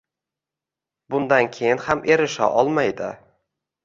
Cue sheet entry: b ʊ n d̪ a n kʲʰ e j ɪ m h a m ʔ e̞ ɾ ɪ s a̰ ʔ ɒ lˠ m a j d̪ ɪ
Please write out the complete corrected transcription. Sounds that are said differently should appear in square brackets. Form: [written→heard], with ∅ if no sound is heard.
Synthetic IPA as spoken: b ʊ n d̪ a n kʲʰ e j ɪ [m→n] h a m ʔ e̞ ɾ ɪ [s→ʃ] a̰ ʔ ɒ lˠ m a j d̪ ɪ